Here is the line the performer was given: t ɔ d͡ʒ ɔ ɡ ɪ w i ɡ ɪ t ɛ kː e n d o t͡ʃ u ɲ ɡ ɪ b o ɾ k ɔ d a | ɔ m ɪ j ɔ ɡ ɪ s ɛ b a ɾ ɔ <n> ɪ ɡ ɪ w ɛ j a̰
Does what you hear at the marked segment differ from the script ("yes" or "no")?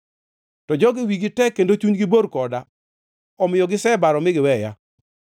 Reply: yes